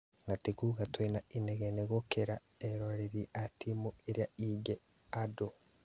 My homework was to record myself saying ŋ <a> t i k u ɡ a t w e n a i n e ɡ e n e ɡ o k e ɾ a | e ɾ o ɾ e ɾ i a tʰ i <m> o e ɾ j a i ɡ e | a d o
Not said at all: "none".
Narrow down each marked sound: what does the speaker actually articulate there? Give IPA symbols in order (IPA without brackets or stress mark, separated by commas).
a, m